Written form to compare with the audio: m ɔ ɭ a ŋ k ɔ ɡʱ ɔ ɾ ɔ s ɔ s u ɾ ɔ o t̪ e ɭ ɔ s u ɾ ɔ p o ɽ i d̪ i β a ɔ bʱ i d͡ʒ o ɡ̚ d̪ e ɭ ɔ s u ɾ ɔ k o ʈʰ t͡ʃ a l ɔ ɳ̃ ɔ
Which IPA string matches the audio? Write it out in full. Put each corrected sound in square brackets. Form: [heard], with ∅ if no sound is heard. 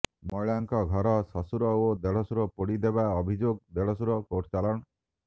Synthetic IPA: m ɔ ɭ a ŋ k ɔ ɡʱ ɔ ɾ ɔ s ɔ s u ɾ ɔ o [d̪] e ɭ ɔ s u ɾ ɔ p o ɽ i d̪ [e] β a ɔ bʱ i d͡ʒ o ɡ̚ d̪ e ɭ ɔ s u ɾ ɔ k o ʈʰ t͡ʃ a l ɔ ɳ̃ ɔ